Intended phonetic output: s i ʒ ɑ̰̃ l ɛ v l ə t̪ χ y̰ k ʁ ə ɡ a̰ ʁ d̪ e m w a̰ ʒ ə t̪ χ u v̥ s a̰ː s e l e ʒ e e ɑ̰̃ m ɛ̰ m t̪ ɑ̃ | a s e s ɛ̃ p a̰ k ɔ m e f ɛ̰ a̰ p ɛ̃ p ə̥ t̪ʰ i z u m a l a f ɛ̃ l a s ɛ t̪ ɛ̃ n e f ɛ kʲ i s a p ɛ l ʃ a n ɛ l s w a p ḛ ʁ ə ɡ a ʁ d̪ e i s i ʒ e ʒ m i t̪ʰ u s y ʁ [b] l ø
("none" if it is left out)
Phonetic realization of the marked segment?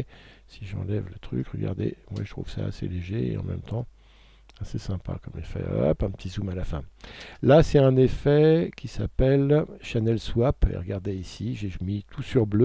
b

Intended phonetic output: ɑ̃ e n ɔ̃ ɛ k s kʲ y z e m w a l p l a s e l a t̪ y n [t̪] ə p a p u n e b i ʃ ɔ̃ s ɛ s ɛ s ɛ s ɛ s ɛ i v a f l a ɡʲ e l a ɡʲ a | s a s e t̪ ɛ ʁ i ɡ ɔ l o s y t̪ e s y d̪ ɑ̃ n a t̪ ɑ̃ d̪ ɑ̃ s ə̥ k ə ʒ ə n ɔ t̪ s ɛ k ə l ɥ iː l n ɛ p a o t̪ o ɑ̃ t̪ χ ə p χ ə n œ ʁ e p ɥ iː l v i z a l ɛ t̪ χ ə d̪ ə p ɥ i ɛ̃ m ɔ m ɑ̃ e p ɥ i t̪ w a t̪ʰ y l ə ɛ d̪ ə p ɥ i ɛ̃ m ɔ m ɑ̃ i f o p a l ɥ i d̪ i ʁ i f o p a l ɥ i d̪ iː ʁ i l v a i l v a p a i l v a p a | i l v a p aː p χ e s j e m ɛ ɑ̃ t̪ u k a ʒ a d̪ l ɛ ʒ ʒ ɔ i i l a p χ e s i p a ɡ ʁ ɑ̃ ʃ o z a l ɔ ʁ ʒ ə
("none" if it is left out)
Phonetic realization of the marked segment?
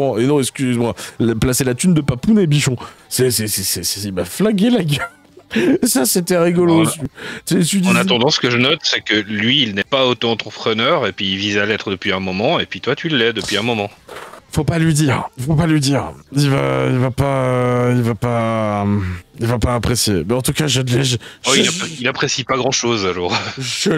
d̪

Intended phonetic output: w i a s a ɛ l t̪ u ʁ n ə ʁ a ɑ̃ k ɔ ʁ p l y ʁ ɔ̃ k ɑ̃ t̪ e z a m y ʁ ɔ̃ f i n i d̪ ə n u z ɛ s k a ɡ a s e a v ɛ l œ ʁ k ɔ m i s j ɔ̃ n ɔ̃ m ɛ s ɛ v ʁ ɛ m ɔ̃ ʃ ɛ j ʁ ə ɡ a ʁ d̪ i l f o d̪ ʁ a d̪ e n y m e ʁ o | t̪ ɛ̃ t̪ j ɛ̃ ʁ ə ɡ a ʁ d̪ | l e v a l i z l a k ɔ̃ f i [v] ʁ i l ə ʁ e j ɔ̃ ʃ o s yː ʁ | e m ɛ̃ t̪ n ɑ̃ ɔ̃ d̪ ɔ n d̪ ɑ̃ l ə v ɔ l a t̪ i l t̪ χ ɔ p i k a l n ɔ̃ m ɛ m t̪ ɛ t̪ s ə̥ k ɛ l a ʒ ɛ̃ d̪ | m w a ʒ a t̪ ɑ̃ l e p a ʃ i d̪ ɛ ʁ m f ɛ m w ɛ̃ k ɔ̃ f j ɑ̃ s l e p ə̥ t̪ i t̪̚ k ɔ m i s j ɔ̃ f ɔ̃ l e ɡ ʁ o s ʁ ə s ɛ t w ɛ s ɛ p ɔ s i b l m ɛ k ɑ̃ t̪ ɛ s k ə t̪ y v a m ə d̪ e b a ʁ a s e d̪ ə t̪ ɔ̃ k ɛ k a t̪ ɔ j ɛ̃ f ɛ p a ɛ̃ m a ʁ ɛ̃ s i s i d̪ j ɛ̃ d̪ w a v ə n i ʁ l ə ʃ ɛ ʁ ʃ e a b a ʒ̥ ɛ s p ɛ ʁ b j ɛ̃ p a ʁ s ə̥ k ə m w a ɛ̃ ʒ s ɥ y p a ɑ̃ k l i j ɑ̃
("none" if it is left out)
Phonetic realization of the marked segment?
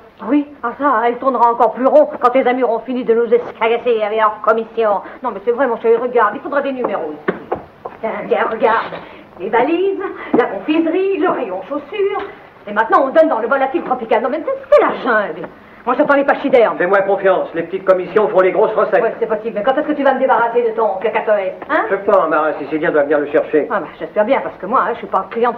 z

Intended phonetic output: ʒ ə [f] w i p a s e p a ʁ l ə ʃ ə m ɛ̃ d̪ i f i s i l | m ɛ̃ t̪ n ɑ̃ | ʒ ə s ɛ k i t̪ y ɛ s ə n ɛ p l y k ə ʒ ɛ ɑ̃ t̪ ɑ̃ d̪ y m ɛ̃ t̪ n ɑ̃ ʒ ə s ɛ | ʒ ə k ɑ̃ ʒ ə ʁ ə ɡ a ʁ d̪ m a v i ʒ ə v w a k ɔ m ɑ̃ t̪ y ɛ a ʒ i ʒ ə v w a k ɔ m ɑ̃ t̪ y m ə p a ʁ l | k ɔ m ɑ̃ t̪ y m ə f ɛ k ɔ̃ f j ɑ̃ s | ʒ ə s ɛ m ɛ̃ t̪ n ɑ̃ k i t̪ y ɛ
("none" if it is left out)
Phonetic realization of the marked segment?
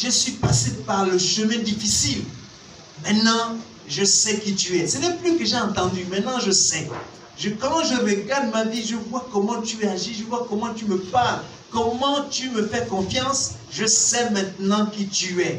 s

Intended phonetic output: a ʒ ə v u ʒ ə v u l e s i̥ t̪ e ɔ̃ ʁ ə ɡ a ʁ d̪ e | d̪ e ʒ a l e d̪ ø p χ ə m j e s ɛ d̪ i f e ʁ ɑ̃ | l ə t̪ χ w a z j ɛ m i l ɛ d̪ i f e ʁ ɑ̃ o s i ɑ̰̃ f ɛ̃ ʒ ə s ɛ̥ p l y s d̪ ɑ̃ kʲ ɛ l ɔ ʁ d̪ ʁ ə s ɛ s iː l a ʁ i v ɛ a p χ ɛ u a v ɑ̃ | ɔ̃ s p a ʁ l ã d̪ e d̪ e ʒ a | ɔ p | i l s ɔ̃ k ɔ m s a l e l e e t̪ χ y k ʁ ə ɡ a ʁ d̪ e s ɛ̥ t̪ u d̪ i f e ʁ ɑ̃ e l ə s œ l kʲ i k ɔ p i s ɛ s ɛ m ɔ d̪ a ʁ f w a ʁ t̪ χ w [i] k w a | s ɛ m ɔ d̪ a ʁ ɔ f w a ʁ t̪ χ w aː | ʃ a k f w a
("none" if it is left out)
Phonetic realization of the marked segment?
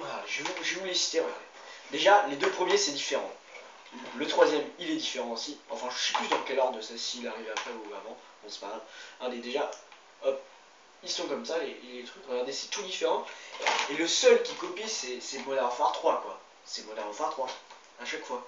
a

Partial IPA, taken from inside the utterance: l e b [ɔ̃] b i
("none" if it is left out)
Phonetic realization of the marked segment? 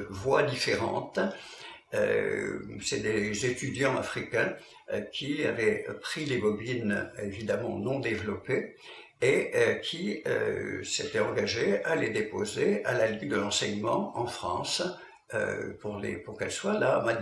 ɔ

